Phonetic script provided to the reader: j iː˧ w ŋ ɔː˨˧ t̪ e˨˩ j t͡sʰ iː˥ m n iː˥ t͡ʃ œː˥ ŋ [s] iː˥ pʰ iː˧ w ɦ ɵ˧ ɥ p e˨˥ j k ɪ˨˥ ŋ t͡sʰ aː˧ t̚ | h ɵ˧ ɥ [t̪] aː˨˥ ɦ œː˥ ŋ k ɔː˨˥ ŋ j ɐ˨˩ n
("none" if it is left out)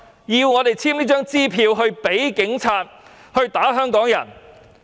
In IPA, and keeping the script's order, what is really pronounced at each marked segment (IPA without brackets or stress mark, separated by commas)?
t͡s, t̪